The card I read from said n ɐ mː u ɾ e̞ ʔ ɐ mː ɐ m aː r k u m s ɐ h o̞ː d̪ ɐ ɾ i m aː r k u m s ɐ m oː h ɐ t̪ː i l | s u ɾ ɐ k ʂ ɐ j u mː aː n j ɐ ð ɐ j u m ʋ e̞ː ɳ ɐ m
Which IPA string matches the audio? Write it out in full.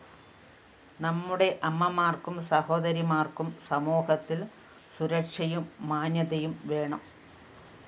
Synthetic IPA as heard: n ɐ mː u ɽ e̞ ʔ ɐ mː ɐ m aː r k u m s ɐ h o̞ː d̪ ɐ ɾ i m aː r k u m s ɐ m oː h ɐ t̪ː i l | s u ɾ ɐ k ʂ ɐ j u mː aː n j ɐ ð ɐ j u m ʋ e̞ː ɳ ɐ m